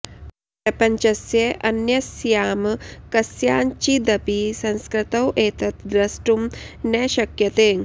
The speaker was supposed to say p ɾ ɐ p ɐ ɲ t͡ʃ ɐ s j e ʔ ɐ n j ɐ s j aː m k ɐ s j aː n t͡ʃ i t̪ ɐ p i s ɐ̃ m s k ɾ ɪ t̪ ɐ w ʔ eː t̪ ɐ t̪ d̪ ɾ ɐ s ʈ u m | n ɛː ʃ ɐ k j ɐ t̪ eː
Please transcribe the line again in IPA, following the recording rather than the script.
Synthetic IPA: p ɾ ɐ p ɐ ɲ t͡ʃ ɐ s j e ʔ ɐ n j ɐ s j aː m k ɐ s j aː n t͡ʃ i d̪ ɐ p i s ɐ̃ n s k ɾ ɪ t̪ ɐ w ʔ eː t̪ ɐ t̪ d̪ ɾ ɐ s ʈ u m | n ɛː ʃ ɐ k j ɐ t̪ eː